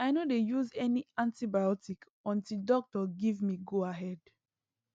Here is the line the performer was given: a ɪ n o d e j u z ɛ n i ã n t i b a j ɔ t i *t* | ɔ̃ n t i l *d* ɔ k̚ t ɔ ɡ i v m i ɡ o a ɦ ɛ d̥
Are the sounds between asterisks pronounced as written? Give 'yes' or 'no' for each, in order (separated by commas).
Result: no, yes